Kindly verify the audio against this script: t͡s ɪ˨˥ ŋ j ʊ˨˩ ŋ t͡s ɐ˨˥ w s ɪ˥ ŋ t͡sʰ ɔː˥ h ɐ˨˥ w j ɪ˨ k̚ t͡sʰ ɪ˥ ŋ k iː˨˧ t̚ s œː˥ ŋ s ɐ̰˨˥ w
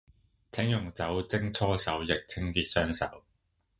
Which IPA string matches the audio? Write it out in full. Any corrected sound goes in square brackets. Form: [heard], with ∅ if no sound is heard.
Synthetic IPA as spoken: [t͡sʰ] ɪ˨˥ ŋ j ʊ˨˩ ŋ t͡s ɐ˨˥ w [t͡s] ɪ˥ ŋ t͡sʰ ɔː˥ [s] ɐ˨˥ w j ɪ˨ k̚ t͡sʰ ɪ˥ ŋ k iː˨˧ t̚ s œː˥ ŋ s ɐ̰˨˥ w